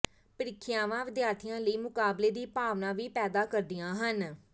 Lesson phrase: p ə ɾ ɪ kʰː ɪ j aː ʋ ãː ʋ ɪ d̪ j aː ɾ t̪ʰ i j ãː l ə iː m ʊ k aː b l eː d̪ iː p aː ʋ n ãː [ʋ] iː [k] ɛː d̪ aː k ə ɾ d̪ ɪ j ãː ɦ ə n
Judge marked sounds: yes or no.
yes, no

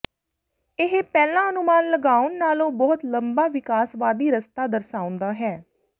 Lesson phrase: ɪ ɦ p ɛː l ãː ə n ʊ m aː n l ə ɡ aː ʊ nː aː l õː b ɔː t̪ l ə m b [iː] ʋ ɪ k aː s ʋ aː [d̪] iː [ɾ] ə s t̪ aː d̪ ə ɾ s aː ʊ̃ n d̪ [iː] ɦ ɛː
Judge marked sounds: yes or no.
no, yes, yes, no

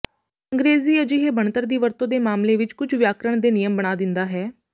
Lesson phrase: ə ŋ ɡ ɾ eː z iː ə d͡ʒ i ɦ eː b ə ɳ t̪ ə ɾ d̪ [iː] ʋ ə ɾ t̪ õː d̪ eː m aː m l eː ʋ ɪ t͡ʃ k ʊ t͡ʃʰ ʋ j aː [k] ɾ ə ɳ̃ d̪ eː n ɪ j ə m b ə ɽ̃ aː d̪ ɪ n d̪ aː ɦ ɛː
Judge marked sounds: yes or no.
yes, yes

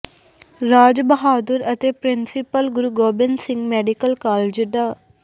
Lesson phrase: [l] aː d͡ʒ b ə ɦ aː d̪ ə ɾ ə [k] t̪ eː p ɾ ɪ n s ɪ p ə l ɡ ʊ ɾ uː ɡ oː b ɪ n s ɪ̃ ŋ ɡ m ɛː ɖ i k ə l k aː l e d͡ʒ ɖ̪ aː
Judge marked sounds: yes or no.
no, no

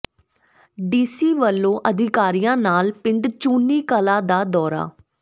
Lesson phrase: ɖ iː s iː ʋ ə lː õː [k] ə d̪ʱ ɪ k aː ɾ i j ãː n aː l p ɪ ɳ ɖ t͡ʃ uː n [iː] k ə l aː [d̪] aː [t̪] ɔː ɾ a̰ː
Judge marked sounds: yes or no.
no, yes, yes, no

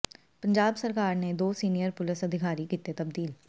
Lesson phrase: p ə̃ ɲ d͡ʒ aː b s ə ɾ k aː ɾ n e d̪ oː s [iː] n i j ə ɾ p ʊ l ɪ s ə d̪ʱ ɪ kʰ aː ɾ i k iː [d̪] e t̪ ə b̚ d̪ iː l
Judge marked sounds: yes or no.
yes, no

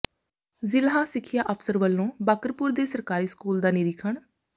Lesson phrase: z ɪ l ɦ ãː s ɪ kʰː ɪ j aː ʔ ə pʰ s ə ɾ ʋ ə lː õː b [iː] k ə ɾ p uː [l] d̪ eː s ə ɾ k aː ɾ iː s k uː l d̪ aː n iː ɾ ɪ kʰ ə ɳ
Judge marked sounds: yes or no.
no, no

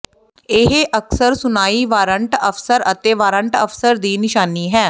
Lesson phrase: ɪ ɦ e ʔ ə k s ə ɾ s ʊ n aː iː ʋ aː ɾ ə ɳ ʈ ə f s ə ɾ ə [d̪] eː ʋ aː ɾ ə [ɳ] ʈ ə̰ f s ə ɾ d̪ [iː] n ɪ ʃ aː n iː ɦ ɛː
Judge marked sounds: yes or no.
no, yes, yes

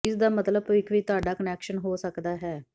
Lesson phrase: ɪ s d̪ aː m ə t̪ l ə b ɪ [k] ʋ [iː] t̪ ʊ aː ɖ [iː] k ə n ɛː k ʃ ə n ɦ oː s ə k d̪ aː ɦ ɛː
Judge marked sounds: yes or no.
yes, yes, no

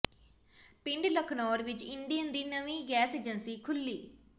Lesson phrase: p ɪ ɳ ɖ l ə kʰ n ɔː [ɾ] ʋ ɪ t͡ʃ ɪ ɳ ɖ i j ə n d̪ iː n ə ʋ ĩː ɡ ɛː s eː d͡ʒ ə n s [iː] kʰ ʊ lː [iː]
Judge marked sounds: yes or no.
yes, yes, yes

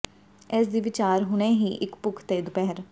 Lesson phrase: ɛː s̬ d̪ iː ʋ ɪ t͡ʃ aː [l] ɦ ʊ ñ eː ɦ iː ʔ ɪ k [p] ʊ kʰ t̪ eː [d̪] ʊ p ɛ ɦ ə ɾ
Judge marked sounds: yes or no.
no, yes, yes

